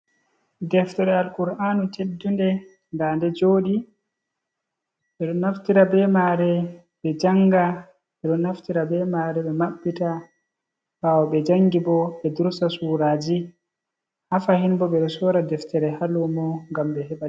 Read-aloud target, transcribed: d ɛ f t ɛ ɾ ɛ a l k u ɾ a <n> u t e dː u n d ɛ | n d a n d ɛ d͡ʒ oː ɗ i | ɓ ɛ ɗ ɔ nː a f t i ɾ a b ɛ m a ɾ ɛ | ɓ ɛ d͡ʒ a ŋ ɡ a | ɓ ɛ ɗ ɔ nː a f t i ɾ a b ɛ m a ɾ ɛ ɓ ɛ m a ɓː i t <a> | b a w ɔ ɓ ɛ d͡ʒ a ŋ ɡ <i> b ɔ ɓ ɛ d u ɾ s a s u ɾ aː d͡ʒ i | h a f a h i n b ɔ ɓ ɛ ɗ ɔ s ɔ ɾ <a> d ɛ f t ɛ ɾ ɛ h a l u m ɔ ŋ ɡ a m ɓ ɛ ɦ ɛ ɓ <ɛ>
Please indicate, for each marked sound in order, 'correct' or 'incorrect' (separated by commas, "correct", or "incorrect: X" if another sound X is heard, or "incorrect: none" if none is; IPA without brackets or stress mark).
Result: correct, correct, correct, correct, incorrect: a